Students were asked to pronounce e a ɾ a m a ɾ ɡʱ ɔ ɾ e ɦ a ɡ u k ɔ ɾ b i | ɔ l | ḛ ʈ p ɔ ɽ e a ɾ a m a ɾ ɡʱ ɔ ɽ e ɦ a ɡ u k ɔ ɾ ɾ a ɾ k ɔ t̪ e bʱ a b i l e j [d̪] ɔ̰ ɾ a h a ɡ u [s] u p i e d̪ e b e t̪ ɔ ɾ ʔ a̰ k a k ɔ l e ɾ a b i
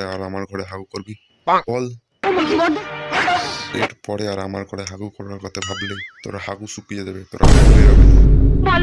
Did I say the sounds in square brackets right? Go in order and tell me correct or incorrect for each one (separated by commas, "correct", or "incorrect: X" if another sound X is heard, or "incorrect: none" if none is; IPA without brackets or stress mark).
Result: incorrect: t̪, correct